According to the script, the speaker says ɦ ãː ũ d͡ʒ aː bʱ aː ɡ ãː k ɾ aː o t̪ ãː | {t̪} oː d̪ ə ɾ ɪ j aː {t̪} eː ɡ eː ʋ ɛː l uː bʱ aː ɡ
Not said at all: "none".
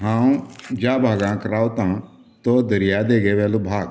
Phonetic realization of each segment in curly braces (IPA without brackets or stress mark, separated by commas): t̪, d̪